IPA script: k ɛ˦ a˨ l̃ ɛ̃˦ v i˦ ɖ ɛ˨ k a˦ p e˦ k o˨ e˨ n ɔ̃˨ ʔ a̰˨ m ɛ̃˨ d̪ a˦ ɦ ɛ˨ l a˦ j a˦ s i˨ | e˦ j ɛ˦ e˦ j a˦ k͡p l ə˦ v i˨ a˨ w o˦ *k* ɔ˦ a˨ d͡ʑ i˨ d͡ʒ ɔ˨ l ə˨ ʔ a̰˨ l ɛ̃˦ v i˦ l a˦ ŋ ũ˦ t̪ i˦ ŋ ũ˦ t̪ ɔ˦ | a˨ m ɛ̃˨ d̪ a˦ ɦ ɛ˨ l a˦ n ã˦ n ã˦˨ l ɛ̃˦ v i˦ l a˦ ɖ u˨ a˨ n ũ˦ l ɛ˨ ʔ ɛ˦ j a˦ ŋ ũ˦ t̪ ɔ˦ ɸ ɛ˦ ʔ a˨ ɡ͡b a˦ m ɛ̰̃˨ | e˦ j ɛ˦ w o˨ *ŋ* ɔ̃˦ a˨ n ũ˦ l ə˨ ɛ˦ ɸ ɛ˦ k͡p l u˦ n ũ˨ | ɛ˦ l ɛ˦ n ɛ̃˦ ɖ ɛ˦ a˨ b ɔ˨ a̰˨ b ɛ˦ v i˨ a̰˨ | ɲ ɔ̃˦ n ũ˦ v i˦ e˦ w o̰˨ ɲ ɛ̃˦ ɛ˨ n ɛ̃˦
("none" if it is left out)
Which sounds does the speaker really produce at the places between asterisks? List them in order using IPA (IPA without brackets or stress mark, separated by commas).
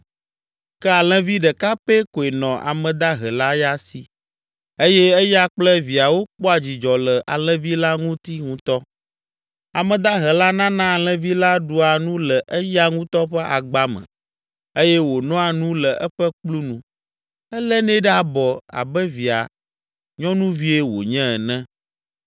k͡p, n